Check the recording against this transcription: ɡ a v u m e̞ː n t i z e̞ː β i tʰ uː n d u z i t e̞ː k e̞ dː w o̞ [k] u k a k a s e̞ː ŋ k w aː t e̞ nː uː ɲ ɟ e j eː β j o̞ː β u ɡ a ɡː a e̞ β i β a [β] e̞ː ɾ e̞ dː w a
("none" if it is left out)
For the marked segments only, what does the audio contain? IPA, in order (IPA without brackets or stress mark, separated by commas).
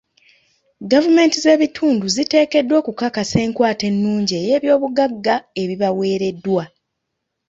k, w